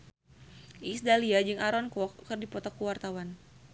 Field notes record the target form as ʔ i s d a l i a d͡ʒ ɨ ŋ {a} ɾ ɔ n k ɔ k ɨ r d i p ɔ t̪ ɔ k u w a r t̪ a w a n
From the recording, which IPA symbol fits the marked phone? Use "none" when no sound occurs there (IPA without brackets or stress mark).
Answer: a